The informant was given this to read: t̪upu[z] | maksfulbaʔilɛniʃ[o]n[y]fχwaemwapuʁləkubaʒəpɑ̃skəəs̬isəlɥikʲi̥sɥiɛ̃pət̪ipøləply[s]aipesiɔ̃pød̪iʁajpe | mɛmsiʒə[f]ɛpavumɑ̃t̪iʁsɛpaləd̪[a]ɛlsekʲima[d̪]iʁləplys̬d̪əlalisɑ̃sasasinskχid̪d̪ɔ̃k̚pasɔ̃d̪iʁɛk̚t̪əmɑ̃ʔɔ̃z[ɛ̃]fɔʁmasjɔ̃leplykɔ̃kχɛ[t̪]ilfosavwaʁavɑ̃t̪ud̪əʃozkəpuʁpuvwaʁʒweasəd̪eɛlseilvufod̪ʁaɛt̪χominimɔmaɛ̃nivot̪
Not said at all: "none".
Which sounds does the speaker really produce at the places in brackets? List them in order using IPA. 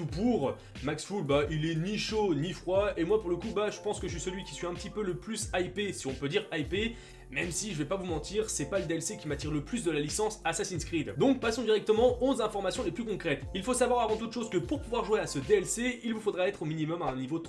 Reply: ʁ, o, i, s, v, e, t̪, ɛ̃, t̪

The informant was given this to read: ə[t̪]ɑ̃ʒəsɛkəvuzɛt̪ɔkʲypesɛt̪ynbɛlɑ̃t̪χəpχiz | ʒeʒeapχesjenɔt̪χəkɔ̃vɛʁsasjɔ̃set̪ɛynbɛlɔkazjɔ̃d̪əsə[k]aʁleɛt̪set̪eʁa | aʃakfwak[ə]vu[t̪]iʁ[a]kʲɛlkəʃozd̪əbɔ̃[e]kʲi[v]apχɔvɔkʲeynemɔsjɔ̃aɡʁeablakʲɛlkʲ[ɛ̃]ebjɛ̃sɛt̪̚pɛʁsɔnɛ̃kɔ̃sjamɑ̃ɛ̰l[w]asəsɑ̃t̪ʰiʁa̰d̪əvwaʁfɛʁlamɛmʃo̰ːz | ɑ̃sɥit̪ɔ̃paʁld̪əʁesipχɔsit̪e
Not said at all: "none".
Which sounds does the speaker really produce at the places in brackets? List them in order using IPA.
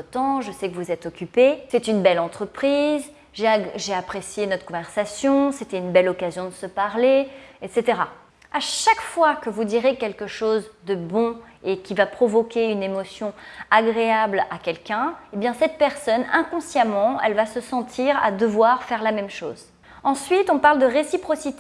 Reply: t̪, p, ə, d̪, e, e, v, ɛ̃, v

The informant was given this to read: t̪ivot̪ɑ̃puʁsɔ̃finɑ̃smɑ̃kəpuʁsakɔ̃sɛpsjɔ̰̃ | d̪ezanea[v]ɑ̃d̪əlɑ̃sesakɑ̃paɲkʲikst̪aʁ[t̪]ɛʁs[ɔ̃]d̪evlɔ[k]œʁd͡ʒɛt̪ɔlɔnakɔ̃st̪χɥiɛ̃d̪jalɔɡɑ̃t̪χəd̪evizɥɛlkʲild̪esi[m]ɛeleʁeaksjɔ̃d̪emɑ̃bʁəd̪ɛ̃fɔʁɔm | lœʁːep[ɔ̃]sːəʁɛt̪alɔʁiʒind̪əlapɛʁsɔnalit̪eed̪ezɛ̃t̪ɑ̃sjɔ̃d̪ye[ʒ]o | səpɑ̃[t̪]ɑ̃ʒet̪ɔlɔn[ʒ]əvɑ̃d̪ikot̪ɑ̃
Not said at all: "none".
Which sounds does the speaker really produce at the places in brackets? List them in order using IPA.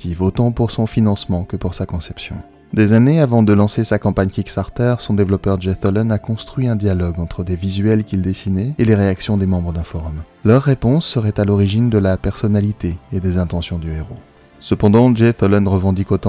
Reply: v, t̪, ɔ̃, p, n, ɔ̃, ʁ, d̪, ʁ

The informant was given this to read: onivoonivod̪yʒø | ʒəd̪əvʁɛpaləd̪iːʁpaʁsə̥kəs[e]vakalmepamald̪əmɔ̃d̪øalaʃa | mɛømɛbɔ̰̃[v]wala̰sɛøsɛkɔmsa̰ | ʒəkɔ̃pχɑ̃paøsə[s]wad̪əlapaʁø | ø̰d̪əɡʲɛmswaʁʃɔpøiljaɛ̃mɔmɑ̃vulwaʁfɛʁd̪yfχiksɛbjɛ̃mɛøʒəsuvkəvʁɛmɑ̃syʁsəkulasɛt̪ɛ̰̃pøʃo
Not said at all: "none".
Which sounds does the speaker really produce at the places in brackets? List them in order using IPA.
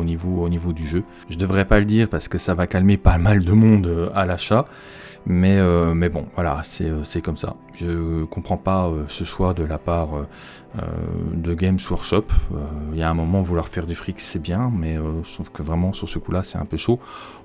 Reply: a, v, ʃ

